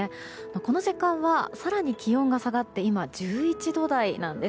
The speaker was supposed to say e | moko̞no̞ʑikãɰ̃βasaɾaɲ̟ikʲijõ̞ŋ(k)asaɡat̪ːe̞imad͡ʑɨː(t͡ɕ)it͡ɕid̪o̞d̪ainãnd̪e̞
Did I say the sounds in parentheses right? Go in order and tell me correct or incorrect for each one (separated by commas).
incorrect, incorrect